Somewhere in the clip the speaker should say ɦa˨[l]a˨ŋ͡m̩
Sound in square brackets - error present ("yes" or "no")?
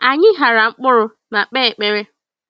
yes